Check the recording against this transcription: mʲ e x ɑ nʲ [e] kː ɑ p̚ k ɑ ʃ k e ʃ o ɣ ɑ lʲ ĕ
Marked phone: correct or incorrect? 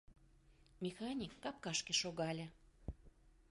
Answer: incorrect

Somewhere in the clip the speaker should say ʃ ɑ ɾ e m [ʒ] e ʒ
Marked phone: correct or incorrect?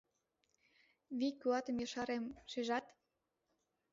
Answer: incorrect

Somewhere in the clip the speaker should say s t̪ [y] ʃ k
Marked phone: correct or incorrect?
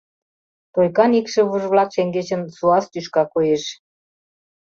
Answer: correct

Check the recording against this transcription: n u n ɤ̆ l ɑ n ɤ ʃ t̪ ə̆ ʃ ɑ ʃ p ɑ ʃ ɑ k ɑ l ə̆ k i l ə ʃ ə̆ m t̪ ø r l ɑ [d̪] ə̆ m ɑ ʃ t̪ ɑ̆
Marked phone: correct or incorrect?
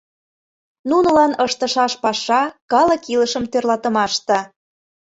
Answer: incorrect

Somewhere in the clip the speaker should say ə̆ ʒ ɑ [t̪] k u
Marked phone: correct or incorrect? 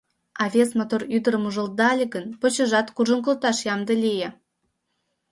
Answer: correct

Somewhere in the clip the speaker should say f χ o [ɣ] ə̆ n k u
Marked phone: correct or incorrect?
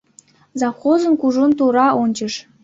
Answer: incorrect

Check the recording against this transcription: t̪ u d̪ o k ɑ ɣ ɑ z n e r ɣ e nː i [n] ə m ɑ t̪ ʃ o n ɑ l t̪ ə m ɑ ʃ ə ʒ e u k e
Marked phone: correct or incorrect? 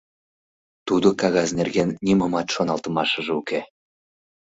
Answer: incorrect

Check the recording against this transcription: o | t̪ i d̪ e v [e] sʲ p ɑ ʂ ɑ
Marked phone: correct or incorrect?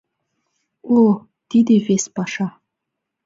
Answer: correct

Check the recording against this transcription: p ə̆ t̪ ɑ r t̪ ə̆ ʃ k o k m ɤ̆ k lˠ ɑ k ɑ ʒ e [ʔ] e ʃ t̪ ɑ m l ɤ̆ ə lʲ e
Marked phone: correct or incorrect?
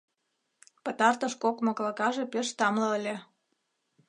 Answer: incorrect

